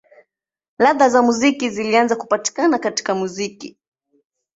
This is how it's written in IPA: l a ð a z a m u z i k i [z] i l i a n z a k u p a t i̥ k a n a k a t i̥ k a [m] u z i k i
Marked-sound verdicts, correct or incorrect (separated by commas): correct, correct